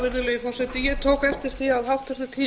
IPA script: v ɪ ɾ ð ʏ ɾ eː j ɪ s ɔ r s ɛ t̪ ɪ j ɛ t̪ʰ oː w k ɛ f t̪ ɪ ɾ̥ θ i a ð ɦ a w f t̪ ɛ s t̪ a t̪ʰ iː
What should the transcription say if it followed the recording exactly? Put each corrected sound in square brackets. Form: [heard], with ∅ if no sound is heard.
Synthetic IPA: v ɪ ɾ ð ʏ [l] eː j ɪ [f] ɔ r s ɛ t̪ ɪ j ɛ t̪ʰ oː w k ɛ f t̪ ɪ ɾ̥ θ i a ð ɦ a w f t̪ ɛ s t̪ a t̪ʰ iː